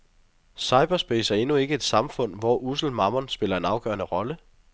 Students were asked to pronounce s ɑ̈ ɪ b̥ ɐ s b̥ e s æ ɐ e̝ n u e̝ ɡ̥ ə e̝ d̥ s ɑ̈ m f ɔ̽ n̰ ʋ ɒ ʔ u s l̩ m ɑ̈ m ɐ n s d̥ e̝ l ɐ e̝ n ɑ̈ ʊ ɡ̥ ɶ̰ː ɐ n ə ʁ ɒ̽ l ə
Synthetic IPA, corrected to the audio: s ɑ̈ ɪ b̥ ɐ s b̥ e s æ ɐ e̝ n u e̝ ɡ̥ ə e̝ d̥ s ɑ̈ m f ɔ̽ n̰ ʋ ɒ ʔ u s l̩ m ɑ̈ m ɐ n s b̥ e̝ l ɐ e̝ n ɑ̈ ʊ ɡ̥ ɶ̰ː ɐ n ə ʁ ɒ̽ l ə